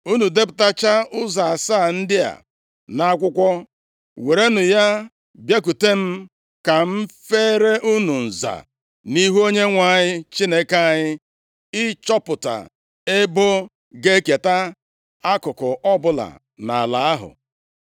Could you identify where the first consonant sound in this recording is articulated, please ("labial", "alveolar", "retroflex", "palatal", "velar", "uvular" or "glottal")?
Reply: alveolar